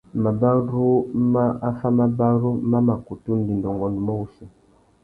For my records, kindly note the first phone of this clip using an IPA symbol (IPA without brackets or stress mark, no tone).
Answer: m